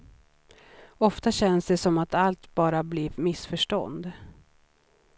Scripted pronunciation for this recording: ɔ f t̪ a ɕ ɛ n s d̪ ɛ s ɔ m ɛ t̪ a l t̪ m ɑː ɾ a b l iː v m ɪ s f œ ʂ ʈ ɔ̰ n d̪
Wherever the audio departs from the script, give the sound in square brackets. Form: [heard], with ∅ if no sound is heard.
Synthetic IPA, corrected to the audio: ɔ f t̪ a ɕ ɛ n s d̪ ɛ s ɔ m [a] t̪ a l t̪ [b] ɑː ɾ a b l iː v m ɪ s f œ ʂ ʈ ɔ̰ n d̪